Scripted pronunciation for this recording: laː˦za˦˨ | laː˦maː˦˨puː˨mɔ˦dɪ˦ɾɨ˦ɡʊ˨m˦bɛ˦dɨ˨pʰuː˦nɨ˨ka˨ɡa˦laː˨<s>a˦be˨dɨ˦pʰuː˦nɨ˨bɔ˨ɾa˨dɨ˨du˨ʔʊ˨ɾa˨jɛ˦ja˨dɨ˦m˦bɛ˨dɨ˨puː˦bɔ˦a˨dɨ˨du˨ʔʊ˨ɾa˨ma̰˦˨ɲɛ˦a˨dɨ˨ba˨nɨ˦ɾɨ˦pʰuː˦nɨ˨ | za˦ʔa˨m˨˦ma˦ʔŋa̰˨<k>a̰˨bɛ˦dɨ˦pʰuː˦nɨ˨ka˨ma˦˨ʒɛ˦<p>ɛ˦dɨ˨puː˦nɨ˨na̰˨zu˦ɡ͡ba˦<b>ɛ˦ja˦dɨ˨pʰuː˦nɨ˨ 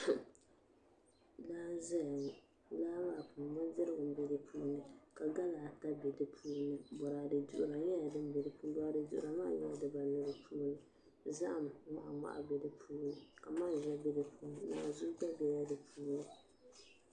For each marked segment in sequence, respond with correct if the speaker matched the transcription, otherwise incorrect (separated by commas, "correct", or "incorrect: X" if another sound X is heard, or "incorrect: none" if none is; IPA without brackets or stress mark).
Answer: incorrect: t, incorrect: ʔ, incorrect: b, correct